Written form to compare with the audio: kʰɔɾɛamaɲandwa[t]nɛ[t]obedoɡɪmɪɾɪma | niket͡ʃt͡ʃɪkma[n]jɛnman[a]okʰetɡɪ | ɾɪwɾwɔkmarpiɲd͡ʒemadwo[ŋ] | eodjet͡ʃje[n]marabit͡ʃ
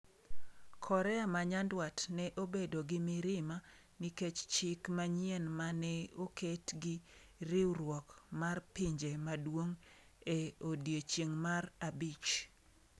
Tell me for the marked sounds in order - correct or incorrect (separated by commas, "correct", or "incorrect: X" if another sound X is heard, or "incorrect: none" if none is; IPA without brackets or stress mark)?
correct, incorrect: ʔ, incorrect: ɲ, incorrect: ɛ, correct, incorrect: ŋ